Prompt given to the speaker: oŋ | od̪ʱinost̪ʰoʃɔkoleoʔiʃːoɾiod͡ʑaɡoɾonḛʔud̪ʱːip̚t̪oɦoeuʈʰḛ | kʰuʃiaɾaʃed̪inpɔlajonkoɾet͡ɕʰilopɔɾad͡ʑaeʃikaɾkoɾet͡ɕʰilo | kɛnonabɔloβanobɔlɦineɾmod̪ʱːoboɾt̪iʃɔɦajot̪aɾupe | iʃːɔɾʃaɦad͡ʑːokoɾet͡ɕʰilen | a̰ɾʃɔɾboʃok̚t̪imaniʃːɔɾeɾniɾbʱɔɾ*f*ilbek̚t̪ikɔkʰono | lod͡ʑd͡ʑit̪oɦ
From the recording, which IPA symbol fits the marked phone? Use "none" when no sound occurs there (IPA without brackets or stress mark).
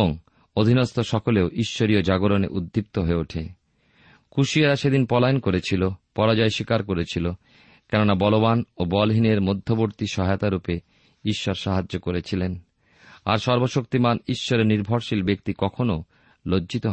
ʃ